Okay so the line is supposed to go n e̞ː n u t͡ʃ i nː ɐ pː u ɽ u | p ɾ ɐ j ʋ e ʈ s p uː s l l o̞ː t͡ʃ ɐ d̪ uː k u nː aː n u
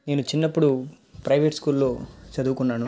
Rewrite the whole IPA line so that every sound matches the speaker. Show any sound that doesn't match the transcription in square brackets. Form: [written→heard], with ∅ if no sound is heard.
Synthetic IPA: n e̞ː n u t͡ʃ i nː ɐ pː u ɽ u | p ɾ ɐ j ʋ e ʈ s [p→k] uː [s→∅] l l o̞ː t͡ʃ ɐ d̪ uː k u nː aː n u

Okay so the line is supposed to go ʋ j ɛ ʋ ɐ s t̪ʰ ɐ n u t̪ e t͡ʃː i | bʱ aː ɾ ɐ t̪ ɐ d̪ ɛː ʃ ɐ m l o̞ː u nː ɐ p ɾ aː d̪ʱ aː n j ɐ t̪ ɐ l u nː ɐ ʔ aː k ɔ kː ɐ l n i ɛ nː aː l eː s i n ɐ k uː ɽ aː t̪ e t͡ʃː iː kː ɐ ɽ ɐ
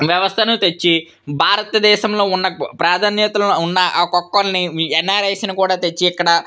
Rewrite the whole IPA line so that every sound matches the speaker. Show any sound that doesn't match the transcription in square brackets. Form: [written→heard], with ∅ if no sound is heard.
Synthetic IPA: ʋ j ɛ ʋ ɐ s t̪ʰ ɐ n u t̪ e t͡ʃː i | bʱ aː ɾ ɐ t̪ ɐ d̪ ɛː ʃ ɐ m l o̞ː u nː ɐ p ɾ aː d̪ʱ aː n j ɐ t̪ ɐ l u nː ɐ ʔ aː k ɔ kː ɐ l n i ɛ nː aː [l→ɾ] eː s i n ɐ k uː ɽ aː t̪ e t͡ʃː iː kː ɐ ɽ ɐ

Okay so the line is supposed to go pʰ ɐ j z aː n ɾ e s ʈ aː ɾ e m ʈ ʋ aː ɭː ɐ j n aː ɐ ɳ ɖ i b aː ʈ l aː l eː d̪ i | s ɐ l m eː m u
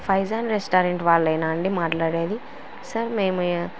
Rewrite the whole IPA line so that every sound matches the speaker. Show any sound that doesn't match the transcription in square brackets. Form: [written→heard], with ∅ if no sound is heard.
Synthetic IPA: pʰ ɐ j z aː n ɾ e s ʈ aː ɾ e [m→ɳ] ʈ ʋ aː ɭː ɐ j n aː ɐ ɳ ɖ i [b→m] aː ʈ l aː [l→ɽ] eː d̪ i | s ɐ [l→ɾ] m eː m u

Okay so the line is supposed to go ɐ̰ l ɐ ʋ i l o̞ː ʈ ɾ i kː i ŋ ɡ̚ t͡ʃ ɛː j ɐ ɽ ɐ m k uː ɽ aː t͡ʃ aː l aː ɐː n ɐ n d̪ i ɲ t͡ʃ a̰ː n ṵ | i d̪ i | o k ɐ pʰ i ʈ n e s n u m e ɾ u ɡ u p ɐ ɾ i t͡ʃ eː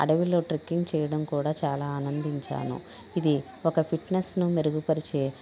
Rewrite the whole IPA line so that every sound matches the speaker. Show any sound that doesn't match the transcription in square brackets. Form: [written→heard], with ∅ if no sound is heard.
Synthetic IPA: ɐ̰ [l→ɽ] ɐ ʋ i l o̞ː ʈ ɾ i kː i ŋ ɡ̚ t͡ʃ ɛː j ɐ ɽ ɐ m k uː ɽ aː t͡ʃ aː l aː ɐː n ɐ n d̪ i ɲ t͡ʃ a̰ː n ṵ | i d̪ i | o k ɐ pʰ i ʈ n e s n u m e ɾ u ɡ u p ɐ ɾ i t͡ʃ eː

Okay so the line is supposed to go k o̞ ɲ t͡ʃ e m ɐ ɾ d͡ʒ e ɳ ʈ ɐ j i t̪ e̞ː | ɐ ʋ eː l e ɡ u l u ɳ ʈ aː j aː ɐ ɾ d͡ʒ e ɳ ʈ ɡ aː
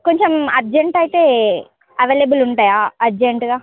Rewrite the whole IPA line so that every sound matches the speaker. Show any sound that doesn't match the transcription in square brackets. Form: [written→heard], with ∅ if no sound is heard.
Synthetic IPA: k o̞ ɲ t͡ʃ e m ɐ ɾ d͡ʒ e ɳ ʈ ɐ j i t̪ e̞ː | ɐ ʋ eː l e [ɡ→b] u l u ɳ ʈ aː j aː ɐ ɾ d͡ʒ e ɳ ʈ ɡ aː

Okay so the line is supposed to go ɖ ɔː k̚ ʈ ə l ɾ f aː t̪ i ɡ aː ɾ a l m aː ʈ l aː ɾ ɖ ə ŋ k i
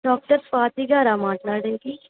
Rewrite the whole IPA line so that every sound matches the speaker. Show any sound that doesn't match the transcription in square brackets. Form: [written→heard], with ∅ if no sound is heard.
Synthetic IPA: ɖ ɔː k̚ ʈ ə [l→∅] ɾ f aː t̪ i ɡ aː ɾ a [l→∅] m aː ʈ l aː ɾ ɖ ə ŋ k i

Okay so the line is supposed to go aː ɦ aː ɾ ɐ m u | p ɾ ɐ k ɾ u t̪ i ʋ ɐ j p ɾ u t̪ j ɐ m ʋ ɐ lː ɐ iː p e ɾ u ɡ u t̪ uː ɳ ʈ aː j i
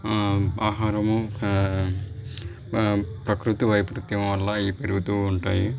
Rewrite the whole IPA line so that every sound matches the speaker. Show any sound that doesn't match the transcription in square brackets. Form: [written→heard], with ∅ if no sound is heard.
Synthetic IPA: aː ɦ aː ɾ ɐ m u | p ɾ ɐ k ɾ u t̪ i ʋ ɐ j p ɾ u t̪ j ɐ m ʋ ɐ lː ɐ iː p e ɾ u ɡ u t̪ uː ɳ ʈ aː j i

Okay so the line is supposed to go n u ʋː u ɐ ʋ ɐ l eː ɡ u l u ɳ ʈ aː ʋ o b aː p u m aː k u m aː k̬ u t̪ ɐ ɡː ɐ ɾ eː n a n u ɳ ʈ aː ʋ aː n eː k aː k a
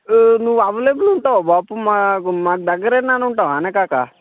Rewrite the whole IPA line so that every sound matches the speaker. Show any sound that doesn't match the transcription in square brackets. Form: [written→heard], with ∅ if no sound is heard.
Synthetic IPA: n u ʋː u ɐ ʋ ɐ l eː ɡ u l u ɳ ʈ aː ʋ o b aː p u m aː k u m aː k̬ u [t̪→d̪] ɐ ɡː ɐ ɾ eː n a n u ɳ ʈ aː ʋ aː n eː k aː k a

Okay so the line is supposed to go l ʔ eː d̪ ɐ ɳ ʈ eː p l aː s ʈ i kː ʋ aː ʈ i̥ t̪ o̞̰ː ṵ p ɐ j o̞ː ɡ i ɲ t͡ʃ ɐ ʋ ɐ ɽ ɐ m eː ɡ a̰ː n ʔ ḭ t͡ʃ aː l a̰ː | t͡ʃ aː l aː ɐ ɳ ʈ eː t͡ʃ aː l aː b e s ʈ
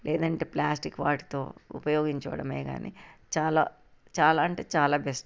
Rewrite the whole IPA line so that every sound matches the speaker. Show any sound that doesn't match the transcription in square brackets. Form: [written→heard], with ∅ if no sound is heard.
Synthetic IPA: l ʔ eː d̪ ɐ ɳ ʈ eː p l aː s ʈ i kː ʋ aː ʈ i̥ t̪ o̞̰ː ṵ p ɐ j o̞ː ɡ i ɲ t͡ʃ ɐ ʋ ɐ ɽ ɐ m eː ɡ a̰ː n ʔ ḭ t͡ʃ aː l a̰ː | t͡ʃ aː l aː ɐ ɳ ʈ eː t͡ʃ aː l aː b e s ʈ

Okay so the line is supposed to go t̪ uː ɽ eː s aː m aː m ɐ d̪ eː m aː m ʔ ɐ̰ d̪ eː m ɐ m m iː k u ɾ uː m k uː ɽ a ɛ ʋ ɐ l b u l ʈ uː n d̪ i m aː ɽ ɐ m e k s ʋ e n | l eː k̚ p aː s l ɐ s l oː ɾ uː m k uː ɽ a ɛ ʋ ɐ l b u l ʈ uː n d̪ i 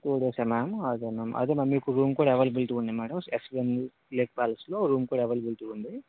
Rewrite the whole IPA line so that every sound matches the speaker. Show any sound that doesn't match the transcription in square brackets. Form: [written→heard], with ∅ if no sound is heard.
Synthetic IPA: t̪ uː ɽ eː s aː m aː m ɐ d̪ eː m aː m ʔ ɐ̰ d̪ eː m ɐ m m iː k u ɾ uː m k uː ɽ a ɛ ʋ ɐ l b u l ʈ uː n d̪ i m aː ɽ ɐ m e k s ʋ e n | l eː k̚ p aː [s→∅] l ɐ s l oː ɾ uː m k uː ɽ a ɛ ʋ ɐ l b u l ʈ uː n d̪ i

